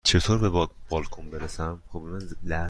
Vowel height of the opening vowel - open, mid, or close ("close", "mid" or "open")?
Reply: mid